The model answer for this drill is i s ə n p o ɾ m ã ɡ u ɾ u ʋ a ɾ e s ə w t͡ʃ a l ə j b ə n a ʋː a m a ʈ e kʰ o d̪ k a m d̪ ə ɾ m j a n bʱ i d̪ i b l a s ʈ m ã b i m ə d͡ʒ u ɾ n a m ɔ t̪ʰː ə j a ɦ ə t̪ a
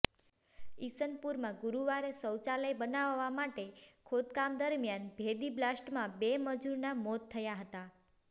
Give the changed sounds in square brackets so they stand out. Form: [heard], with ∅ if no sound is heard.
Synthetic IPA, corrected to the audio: i s ə n p [u] ɾ m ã ɡ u ɾ u ʋ a ɾ e s ə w t͡ʃ a l ə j b ə n a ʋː a m a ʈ e kʰ o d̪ k a m d̪ ə ɾ m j a n bʱ [e] d̪ i b l a s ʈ m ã b [e] m ə d͡ʒ u ɾ n a m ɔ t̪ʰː ə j a ɦ ə t̪ a